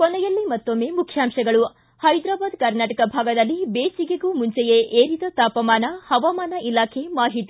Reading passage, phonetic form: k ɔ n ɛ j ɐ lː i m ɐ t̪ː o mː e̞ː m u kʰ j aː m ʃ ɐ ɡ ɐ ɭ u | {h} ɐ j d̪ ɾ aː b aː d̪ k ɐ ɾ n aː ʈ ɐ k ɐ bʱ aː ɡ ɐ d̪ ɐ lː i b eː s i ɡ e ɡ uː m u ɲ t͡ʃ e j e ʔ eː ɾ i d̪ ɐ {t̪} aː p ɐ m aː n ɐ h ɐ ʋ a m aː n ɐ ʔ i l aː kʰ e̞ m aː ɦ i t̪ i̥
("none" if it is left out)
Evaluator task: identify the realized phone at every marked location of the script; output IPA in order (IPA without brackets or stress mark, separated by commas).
h, t̪